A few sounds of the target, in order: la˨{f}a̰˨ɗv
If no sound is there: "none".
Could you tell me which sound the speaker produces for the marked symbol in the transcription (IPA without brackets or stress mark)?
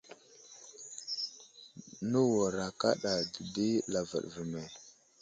v